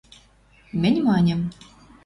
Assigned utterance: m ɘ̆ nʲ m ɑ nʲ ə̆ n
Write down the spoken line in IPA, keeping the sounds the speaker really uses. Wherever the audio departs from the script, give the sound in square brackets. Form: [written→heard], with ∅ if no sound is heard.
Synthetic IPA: m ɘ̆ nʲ m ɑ nʲ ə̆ [n→m]